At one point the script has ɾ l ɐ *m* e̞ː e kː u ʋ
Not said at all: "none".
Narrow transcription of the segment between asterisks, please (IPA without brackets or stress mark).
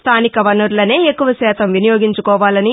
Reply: n